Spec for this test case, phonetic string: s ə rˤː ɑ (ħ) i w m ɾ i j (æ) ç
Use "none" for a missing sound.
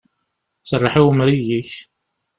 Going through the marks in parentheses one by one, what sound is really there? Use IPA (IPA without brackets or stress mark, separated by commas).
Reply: ħ, i